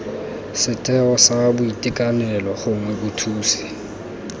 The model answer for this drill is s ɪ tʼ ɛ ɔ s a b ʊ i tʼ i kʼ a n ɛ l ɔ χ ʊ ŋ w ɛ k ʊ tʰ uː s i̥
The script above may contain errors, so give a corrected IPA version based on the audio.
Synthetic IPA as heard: s ɪ tʼ ɛ ɔ s a b ʊ i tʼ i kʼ a n ɛ l ɔ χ ʊ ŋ w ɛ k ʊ tʰ uː s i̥